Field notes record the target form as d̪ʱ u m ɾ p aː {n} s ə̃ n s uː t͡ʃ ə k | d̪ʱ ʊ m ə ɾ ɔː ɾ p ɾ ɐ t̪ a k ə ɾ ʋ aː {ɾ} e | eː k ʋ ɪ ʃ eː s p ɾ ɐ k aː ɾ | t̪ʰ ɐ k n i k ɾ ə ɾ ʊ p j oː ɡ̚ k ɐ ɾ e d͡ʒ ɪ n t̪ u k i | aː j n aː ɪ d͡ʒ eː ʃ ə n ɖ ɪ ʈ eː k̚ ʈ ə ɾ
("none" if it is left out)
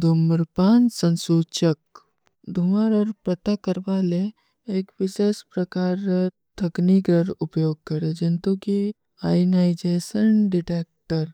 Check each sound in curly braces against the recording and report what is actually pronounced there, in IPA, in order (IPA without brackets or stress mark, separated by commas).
n, l